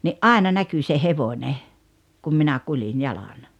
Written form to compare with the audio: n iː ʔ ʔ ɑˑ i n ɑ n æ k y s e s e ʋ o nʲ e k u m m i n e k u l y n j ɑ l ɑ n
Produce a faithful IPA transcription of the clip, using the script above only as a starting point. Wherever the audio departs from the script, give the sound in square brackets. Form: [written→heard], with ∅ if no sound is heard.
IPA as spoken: n [iː→i] ʔ ʔ ɑˑ [i→e] n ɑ n æ k y s e [s→h] e ʋ o nʲ e k u m m i n [e→æ] k u l [y→i] n j ɑ l ɑ n